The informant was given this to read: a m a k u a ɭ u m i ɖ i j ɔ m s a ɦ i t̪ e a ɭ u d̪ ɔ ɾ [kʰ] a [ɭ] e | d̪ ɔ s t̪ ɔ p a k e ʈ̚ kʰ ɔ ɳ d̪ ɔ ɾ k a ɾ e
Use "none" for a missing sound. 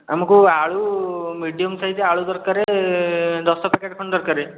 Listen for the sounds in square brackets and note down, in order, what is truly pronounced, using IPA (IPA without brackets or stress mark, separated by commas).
k, ɾ